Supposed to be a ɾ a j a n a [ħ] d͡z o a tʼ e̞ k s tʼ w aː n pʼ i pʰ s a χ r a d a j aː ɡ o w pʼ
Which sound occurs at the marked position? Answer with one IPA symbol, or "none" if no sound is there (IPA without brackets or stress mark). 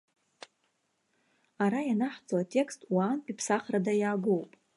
ħ